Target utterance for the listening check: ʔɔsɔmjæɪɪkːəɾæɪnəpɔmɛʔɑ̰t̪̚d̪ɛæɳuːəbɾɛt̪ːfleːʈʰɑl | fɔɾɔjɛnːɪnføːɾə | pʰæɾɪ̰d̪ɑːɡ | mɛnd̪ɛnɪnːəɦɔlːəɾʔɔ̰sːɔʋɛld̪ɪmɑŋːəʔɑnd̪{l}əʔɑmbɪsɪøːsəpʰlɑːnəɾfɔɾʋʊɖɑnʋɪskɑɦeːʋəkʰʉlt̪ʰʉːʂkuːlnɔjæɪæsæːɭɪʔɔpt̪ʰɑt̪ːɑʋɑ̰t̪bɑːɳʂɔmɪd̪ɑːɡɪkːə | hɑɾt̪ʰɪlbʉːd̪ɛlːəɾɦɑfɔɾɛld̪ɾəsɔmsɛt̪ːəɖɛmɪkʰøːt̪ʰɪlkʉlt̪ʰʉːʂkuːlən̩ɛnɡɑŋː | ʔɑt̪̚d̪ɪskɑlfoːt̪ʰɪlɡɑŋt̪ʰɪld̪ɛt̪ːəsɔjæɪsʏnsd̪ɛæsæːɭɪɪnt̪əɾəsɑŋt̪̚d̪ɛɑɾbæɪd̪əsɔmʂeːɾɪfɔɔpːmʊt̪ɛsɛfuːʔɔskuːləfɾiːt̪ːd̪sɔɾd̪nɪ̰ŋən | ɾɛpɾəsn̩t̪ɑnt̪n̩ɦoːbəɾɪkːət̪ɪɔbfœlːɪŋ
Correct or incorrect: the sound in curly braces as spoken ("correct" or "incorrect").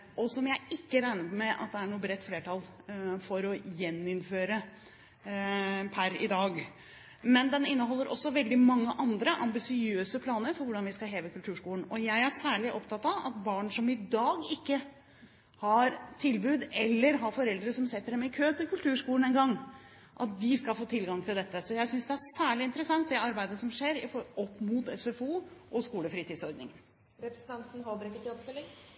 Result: incorrect